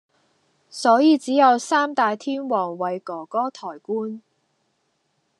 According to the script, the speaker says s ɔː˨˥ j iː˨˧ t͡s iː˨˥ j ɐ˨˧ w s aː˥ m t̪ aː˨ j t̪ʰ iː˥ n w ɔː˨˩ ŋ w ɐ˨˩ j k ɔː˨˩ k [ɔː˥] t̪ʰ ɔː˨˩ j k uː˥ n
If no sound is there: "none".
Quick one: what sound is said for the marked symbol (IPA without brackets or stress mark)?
ɔː˥